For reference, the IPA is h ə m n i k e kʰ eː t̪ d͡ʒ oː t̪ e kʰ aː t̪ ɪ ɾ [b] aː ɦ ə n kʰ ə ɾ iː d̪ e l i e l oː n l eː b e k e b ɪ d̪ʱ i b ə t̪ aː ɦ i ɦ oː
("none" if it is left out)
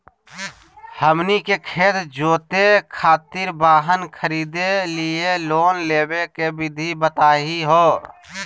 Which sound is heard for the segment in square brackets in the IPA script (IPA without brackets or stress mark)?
b